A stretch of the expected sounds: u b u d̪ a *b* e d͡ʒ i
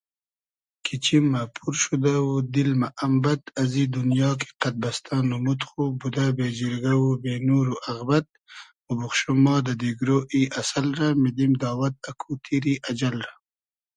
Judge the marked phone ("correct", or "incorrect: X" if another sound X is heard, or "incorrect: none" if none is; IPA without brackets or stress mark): correct